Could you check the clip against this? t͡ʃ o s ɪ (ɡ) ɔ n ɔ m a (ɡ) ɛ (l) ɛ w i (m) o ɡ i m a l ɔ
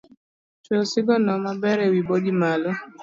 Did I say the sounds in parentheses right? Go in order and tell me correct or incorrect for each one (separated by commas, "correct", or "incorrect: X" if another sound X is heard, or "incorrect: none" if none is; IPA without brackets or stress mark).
correct, incorrect: b, incorrect: ɾ, incorrect: b